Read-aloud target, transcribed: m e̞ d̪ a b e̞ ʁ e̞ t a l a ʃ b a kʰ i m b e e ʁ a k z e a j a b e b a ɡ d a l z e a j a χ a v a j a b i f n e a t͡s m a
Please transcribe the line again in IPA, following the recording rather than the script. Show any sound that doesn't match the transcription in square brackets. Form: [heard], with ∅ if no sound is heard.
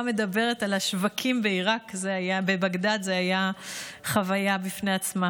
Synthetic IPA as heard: m e̞ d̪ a b e̞ ʁ e̞ t a l a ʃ [v] a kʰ i m b e [i] ʁ a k z e a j a b e b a ɡ d a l z e a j a χ a v a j a b i f n e a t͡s m a